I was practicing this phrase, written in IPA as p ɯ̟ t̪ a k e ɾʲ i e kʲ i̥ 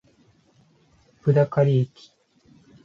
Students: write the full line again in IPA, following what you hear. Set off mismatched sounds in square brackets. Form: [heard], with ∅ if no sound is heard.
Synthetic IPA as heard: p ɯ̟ [d̪] a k [a] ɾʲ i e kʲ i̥

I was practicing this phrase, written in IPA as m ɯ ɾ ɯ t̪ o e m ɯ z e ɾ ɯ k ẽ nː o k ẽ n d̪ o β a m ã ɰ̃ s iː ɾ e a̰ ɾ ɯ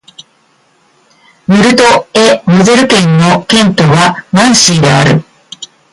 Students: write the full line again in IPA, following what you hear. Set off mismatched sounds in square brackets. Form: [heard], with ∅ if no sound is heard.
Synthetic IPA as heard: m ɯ ɾ ɯ t̪ o e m ɯ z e ɾ ɯ k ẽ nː o k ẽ n [t̪] o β a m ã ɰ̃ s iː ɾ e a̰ ɾ ɯ

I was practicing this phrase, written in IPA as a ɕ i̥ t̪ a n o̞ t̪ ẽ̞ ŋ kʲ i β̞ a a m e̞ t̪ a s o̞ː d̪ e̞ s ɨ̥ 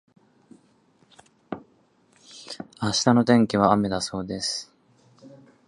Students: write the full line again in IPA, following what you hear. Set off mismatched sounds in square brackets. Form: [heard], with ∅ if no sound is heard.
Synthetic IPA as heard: a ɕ i̥ t̪ a n o̞ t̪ ẽ̞ ŋ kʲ i β̞ a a m e̞ [d̪] a s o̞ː d̪ e̞ s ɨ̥

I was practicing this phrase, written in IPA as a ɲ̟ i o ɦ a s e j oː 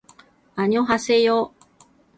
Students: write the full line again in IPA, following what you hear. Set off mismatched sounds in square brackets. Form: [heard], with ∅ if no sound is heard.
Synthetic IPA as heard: a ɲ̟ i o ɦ a s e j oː

